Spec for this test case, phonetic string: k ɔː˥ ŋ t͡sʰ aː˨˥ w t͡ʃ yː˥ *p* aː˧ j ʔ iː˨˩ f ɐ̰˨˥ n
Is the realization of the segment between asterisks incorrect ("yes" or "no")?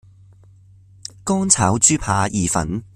yes